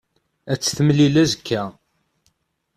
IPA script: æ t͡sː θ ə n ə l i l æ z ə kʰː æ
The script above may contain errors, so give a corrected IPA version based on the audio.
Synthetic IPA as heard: æ t͡sː θ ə m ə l i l æ z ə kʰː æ